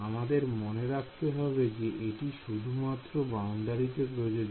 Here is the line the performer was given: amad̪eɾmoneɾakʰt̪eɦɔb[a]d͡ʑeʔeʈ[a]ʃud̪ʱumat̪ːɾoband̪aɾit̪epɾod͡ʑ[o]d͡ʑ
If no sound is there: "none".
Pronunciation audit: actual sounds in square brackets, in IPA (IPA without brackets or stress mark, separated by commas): e, i, o